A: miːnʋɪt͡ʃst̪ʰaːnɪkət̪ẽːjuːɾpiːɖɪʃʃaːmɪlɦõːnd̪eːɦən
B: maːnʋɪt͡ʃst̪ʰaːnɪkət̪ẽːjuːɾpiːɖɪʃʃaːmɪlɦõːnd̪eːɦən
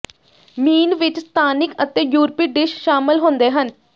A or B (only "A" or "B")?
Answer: A